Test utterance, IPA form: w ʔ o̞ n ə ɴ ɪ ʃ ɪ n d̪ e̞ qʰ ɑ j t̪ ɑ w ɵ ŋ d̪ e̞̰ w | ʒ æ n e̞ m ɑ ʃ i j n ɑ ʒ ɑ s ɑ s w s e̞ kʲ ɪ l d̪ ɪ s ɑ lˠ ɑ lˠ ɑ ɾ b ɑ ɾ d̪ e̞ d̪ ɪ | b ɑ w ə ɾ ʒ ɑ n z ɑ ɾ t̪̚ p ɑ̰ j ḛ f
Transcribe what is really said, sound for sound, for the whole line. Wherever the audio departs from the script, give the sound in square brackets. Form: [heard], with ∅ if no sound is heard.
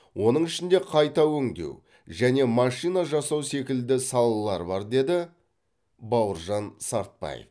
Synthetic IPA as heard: w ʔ o̞ n ə ɴ ɪ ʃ ɪ n d̪ e̞ qʰ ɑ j t̪ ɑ w ɵ ŋ d̪ e̞̰ w | ʒ æ n e̞ m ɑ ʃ i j n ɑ ʒ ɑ s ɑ [∅] w s e̞ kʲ ɪ l d̪ ɪ s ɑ lˠ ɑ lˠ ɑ ɾ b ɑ ɾ d̪ e̞ d̪ ɪ | b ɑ w ə ɾ ʒ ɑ n [s] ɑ ɾ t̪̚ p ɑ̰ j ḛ f